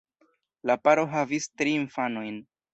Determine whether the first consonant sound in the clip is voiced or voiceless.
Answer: voiced